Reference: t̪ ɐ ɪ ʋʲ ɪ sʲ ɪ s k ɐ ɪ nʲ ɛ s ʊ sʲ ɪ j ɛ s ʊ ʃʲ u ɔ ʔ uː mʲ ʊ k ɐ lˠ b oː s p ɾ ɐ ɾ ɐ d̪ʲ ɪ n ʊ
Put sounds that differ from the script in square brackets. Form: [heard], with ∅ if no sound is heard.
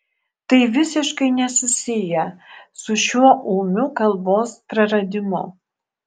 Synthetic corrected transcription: t̪ ɐ ɪ ʋʲ ɪ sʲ ɪ [ʃ] k ɐ ɪ nʲ ɛ s ʊ sʲ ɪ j ɛ s ʊ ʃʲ u ɔ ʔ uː mʲ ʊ k ɐ lˠ b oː s p ɾ ɐ ɾ ɐ d̪ʲ ɪ [m] ʊ